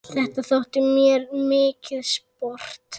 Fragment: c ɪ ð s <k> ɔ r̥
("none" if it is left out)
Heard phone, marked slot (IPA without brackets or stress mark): p